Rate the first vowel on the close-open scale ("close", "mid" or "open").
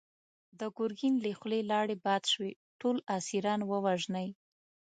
mid